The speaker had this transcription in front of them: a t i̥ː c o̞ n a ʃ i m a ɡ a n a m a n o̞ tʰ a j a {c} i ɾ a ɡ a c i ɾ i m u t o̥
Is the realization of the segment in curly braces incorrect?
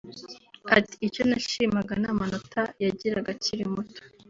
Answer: yes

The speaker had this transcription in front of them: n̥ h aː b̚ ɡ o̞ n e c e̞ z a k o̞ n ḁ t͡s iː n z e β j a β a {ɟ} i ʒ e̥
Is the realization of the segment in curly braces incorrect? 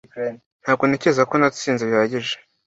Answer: no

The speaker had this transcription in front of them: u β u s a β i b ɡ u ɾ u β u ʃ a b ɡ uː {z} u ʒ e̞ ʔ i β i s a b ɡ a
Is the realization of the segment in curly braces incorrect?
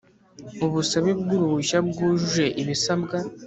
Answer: yes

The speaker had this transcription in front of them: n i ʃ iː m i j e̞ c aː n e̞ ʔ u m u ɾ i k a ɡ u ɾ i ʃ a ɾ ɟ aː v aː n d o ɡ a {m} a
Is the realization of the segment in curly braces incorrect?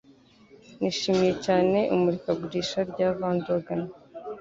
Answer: yes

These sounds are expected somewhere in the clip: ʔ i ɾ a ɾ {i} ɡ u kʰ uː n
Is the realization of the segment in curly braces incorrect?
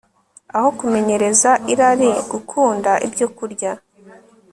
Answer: no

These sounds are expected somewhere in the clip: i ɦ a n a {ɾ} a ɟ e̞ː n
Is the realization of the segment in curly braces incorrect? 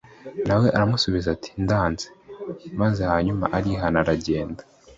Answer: no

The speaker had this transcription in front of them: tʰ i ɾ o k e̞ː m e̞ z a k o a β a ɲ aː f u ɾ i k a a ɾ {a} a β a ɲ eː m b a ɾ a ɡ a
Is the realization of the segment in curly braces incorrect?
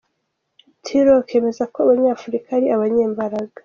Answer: yes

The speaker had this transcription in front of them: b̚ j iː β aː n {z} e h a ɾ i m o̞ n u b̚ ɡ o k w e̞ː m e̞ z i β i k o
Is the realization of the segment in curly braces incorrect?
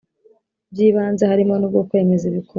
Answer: no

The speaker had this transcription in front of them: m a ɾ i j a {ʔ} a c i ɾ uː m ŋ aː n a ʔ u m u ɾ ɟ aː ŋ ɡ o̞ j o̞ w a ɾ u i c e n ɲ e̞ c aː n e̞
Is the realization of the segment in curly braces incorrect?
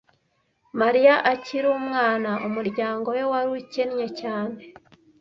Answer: no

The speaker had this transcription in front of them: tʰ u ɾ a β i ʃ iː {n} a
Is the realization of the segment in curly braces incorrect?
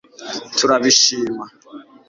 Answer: yes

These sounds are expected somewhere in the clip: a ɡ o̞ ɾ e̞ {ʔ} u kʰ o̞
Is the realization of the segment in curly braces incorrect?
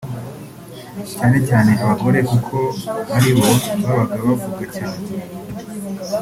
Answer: yes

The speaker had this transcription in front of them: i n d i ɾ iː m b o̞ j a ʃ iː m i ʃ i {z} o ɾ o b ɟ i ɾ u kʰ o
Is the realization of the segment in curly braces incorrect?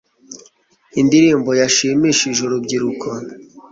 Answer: yes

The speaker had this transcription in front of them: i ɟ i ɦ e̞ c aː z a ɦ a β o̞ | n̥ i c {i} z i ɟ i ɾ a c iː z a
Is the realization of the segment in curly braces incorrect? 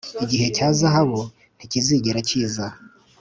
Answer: no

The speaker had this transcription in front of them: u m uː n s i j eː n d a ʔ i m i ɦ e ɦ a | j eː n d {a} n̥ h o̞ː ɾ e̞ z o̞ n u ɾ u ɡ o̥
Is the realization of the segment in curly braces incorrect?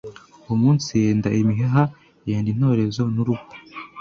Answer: yes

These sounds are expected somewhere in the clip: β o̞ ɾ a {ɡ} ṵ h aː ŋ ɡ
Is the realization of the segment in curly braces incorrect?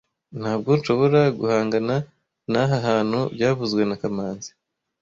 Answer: no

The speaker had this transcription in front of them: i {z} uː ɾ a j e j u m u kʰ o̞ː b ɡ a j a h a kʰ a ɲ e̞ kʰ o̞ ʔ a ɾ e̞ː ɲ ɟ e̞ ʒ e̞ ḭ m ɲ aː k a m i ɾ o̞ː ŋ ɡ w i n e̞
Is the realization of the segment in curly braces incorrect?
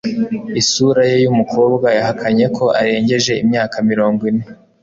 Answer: yes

